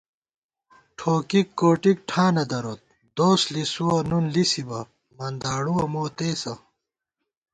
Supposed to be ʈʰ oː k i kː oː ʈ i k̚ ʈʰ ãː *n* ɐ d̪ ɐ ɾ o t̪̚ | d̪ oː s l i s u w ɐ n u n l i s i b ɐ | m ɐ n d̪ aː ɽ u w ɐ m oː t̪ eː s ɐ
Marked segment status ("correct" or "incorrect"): correct